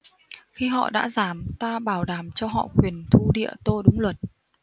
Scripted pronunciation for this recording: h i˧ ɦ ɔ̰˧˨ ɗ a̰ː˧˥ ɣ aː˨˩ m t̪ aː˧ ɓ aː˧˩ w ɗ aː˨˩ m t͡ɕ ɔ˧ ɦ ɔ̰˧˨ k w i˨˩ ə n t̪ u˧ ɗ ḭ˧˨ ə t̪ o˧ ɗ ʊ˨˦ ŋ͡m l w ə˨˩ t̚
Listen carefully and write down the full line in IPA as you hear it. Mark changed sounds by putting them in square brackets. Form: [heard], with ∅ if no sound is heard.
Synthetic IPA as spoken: [x] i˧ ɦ ɔ̰˧˨ ɗ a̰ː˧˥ [z] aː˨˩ m t̪ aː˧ ɓ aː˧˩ w ɗ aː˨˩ m t͡ɕ ɔ˧ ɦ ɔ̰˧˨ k w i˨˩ ə n [t̪ʰ] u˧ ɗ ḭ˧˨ ə t̪ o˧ ɗ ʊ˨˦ ŋ͡m l w ə˨˩ t̚

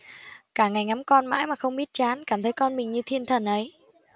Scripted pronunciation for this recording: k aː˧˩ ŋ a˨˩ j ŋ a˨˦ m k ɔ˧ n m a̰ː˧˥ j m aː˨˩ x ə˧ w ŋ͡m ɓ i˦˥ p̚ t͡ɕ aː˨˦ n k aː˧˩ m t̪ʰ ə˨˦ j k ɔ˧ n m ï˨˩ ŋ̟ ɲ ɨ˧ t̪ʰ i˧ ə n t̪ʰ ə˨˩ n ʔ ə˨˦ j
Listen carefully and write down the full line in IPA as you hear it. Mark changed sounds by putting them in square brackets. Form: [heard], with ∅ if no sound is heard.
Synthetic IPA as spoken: k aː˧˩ ŋ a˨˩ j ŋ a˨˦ m k ɔ˧ n m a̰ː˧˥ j m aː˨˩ x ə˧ w ŋ͡m ɓ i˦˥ [t̚] t͡ɕ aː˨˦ n k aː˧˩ m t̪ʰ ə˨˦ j k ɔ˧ n m ï˨˩ ŋ̟ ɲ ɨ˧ t̪ʰ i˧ ə n t̪ʰ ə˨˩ n ʔ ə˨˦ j

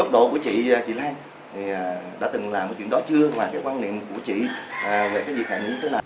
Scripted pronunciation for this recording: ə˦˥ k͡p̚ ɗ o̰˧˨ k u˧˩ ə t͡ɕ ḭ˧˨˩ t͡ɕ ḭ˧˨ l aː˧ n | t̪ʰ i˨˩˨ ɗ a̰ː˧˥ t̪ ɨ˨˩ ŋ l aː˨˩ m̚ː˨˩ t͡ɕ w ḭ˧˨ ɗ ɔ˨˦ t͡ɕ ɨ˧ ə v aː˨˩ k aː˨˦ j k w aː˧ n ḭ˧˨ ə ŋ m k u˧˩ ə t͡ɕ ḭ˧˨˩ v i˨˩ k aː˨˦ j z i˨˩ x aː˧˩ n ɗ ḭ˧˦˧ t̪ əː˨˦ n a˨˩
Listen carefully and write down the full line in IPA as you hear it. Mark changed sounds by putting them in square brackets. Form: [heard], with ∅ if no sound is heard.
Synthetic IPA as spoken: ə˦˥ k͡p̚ ɗ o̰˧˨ k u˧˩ ə t͡ɕ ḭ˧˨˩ t͡ɕ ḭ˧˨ l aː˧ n | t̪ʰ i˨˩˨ ɗ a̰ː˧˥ t̪ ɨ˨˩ ŋ l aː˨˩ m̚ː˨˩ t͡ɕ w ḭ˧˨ ɗ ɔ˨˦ t͡ɕ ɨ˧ ə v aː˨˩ k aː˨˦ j k w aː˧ n ḭ˧˨ ə [∅] m k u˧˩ ə t͡ɕ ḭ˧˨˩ v [e˨˩] k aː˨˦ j z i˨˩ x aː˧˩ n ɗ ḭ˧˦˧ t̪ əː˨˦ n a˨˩

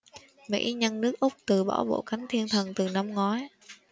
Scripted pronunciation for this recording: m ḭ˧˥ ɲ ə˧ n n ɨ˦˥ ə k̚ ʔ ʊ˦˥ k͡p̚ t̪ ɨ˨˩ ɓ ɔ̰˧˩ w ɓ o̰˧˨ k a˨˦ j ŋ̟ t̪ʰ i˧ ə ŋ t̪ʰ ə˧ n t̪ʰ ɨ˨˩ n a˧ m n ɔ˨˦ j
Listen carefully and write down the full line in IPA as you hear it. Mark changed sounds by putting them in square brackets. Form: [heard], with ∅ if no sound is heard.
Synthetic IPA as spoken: m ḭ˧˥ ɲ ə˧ n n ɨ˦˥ ə k̚ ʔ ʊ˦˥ k͡p̚ t̪ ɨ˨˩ ɓ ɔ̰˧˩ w ɓ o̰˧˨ k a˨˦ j ŋ̟ t̪ʰ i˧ ə [n] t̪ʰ [ə˨˩] n [t̪] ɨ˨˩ n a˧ m [ŋ] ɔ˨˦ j

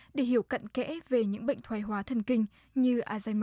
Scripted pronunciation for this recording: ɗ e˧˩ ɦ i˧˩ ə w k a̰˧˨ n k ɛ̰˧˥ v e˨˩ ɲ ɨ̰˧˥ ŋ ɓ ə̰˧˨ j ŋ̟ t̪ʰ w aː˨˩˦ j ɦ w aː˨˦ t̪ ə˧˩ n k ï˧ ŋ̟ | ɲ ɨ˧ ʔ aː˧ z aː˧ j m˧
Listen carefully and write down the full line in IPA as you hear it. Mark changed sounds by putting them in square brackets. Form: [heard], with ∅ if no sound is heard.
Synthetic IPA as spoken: ɗ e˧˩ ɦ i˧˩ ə w k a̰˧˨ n k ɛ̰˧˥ v e˨˩ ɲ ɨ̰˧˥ ŋ ɓ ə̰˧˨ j ŋ̟ t̪ʰ w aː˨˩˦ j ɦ w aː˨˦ [t̪ʰ] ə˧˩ n k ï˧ ŋ̟ | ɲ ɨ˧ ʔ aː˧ z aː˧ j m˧

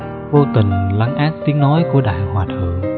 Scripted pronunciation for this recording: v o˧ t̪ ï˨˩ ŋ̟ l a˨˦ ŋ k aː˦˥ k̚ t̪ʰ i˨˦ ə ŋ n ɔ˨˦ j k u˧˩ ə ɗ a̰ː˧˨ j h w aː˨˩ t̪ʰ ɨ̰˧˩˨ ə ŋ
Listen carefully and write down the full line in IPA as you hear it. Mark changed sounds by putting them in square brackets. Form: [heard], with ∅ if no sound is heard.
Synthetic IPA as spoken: v o˧ t̪ ï˨˩ ŋ̟ l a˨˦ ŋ [ʔ] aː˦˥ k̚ [t̪] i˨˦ ə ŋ n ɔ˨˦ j k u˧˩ ə ɗ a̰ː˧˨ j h w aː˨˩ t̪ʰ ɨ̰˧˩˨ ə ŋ

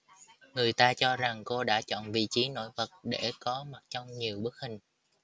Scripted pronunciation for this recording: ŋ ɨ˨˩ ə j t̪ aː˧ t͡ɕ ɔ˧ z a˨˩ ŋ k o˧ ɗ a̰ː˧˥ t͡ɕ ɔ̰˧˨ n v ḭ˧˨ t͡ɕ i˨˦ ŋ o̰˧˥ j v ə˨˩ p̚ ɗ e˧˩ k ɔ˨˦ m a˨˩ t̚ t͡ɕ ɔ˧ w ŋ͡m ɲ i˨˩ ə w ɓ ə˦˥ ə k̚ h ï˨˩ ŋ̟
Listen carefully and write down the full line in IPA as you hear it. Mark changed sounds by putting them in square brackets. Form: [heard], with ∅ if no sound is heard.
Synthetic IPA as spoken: ŋ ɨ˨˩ ə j t̪ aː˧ t͡ɕ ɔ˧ z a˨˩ ŋ k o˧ ɗ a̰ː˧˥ t͡ɕ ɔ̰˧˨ n v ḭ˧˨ t͡ɕ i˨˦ [n] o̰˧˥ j v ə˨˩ [t̚] ɗ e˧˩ k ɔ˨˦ m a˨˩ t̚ t͡ɕ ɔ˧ w ŋ͡m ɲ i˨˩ ə w ɓ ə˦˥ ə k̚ h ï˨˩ ŋ̟

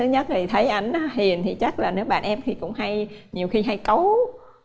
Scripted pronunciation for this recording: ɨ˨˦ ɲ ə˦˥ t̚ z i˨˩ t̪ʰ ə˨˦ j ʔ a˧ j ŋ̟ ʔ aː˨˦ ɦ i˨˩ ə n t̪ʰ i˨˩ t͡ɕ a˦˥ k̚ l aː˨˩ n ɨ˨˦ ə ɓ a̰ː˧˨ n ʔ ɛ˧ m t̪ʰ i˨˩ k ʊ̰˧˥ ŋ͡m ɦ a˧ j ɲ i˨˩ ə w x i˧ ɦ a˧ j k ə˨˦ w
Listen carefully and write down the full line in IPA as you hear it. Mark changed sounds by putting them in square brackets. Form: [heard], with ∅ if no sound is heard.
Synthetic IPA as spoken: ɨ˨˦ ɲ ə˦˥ t̚ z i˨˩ t̪ʰ ə˨˦ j ʔ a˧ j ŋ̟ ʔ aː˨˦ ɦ i˨˩ ə n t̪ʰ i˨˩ t͡ɕ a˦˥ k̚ l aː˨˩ n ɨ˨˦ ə ɓ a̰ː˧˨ n ʔ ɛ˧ m t̪ʰ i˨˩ k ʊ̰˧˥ ŋ͡m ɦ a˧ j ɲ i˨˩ ə w x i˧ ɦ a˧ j k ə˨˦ w

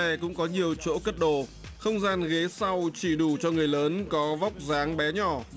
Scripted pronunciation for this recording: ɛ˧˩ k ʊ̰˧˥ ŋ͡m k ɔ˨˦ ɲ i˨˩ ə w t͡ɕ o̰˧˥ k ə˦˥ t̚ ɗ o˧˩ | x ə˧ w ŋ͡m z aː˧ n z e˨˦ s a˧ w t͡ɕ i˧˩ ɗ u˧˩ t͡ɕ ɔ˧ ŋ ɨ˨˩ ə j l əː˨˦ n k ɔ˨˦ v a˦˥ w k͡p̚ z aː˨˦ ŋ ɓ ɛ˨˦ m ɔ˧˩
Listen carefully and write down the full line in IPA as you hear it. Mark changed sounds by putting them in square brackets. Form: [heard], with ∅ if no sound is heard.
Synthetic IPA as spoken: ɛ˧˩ k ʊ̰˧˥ ŋ͡m k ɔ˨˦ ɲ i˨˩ ə w t͡ɕ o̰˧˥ k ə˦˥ t̚ ɗ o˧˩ | x ə˧ w ŋ͡m z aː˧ n [ɣ] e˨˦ s a˧ w t͡ɕ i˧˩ ɗ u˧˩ t͡ɕ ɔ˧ ŋ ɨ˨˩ ə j l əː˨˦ n k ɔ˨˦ v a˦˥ w k͡p̚ z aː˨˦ ŋ ɓ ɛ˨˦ [ɲ] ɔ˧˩

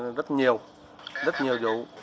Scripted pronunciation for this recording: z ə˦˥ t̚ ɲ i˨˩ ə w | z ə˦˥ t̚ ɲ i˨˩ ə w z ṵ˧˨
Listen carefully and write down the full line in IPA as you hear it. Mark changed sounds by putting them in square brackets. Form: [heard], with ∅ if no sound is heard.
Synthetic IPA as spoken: z ə˦˥ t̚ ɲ i˨˩ ə w | z ə˦˥ t̚ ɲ i˨˩ ə w z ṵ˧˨

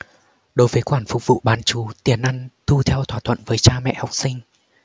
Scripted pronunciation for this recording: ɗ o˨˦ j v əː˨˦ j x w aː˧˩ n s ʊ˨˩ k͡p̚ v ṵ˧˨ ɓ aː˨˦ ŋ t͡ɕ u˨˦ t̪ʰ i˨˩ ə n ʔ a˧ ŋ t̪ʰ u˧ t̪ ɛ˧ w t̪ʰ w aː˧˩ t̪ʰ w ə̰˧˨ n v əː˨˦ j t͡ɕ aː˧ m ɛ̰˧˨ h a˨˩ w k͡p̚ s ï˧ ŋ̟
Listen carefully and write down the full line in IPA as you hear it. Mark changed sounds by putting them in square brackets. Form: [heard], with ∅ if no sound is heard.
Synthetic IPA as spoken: ɗ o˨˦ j v əː˨˦ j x w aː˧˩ n [f] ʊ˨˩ k͡p̚ v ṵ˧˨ ɓ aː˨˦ [n] t͡ɕ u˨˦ [t̪] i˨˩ ə n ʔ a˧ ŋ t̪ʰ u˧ [t̪ʰ] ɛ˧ w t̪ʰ w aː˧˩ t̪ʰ w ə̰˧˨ n v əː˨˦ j t͡ɕ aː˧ m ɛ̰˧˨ h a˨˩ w k͡p̚ s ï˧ ŋ̟

